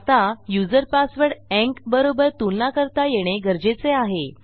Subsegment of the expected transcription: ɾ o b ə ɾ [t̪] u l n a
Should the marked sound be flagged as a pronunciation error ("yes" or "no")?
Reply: no